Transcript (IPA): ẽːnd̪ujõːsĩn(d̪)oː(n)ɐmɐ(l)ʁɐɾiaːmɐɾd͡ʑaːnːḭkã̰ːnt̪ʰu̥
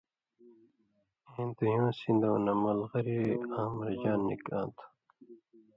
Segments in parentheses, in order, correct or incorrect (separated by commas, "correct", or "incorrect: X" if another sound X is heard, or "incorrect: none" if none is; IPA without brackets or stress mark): correct, correct, correct